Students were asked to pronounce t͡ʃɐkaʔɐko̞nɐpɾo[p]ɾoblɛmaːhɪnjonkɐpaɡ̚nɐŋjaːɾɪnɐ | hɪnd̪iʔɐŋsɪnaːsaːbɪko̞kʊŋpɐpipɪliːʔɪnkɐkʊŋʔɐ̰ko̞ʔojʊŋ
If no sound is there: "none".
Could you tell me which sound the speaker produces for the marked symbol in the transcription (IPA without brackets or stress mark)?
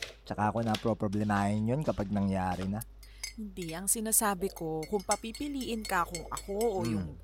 p